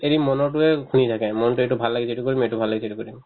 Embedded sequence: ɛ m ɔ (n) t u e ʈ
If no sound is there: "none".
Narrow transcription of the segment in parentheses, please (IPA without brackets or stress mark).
n